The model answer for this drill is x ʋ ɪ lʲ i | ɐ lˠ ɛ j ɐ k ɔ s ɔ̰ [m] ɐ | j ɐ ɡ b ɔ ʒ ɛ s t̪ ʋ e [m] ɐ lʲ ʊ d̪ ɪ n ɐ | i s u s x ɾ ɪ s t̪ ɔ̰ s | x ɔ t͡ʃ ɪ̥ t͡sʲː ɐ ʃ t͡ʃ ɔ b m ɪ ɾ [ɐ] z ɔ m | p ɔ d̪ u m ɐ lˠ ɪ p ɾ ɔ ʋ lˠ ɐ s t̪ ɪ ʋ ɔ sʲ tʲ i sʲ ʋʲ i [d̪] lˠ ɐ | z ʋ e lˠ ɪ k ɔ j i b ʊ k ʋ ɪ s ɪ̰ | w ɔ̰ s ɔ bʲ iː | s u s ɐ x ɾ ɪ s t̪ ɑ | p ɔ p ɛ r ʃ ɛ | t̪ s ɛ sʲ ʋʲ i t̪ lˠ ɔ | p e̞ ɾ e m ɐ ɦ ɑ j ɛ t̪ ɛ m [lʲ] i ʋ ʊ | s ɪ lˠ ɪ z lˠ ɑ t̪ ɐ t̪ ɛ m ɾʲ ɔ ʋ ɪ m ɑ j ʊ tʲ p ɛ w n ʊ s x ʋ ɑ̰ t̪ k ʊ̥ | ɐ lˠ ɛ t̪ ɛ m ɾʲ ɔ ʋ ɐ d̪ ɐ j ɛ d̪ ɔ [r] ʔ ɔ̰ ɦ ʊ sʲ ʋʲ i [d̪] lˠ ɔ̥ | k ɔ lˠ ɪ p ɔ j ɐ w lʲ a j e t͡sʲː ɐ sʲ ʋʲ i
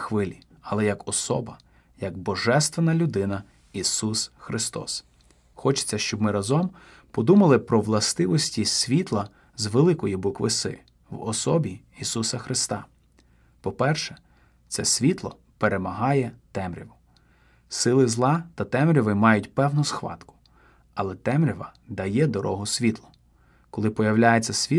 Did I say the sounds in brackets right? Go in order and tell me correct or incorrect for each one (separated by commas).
incorrect, incorrect, correct, incorrect, incorrect, incorrect, incorrect